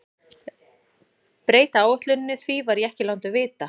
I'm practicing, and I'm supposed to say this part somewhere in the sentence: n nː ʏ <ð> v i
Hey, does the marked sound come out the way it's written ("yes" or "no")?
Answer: no